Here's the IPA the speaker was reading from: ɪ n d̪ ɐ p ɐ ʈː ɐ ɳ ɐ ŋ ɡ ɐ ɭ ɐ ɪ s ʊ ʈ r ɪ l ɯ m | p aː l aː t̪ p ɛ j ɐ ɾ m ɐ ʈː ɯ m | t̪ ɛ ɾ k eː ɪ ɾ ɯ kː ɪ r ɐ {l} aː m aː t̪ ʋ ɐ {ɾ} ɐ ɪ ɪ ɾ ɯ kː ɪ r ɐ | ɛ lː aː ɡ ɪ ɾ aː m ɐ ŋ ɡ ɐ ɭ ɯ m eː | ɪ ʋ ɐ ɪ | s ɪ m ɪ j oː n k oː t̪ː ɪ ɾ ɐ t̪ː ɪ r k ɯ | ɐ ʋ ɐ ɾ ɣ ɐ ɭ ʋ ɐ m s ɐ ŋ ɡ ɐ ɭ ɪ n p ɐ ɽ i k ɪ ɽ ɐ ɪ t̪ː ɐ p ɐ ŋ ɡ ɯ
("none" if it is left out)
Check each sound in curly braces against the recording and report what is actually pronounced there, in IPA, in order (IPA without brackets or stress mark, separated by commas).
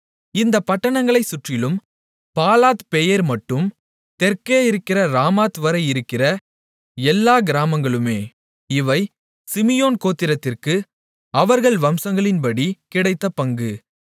ɾ, ɾ